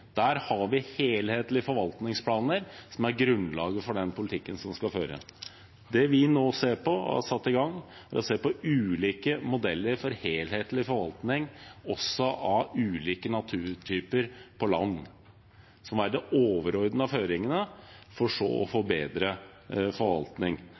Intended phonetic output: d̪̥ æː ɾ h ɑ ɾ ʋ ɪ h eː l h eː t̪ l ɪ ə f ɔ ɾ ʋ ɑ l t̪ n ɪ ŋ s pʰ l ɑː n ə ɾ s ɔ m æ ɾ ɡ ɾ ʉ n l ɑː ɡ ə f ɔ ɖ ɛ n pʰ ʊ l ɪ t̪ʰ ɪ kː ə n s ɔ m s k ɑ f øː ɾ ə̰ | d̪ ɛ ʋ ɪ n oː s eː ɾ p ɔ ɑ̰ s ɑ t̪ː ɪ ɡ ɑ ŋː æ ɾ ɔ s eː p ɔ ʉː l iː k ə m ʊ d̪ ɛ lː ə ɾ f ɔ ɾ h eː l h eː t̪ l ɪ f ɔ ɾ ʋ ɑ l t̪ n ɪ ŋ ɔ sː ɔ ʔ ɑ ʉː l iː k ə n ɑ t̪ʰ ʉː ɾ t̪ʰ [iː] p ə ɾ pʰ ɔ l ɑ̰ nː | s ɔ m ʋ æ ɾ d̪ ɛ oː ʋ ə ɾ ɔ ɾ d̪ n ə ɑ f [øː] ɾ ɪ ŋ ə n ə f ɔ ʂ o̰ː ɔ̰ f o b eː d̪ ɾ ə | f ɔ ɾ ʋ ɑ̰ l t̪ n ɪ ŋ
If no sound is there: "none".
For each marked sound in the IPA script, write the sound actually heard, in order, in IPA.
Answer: yː, øː

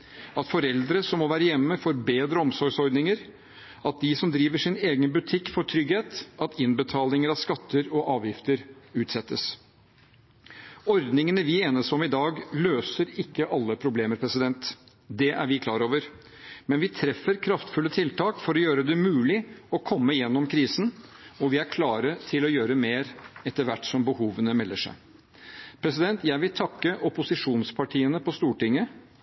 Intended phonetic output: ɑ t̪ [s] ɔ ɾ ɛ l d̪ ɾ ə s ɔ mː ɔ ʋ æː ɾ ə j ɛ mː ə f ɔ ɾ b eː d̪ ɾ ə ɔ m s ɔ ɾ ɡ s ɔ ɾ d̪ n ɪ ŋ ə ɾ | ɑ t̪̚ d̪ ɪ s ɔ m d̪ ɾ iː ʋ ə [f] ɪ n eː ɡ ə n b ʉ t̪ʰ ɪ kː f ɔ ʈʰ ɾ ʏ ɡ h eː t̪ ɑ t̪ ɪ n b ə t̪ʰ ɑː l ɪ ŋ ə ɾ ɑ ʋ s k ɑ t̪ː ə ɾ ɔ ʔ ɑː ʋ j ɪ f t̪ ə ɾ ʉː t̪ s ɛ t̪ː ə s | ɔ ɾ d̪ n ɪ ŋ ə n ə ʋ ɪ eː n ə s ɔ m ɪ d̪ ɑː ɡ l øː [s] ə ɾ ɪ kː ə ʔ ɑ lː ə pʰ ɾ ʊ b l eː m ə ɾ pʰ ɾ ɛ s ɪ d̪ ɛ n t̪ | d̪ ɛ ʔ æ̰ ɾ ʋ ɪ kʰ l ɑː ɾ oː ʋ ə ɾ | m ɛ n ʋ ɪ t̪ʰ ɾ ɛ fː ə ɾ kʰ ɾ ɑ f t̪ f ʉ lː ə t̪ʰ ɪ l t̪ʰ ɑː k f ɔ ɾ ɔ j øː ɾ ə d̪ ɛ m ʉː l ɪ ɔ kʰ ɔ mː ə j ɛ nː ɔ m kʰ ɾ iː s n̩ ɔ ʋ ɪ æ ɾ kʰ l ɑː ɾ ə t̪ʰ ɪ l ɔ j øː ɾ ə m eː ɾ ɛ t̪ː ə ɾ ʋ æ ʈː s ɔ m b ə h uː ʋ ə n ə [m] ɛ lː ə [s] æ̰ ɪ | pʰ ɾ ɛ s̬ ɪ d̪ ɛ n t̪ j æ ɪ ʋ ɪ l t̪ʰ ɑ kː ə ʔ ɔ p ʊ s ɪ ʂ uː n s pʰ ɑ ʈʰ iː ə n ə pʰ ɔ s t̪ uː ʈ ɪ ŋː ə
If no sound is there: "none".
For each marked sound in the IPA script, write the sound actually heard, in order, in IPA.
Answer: f, ʂ, s, m, ʂ

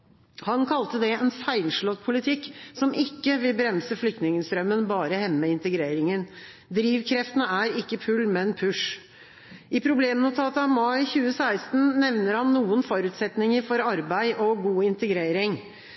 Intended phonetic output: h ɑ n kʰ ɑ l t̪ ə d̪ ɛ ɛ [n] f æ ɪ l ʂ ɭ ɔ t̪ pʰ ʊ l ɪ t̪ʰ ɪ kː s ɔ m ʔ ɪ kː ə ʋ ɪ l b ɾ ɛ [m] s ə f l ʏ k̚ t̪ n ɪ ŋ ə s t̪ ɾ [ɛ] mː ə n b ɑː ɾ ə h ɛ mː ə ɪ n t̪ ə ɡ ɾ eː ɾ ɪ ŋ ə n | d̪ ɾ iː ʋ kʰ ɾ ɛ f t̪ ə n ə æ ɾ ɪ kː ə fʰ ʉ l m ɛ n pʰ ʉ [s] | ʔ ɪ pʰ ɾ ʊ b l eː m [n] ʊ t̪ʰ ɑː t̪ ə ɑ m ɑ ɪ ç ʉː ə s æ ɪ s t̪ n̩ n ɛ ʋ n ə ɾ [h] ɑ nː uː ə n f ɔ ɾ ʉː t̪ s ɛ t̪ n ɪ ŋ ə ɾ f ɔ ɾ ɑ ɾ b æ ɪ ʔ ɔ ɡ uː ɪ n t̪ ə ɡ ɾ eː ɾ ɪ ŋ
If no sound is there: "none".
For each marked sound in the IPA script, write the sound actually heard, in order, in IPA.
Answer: n, m, œ, ʂ, n, h

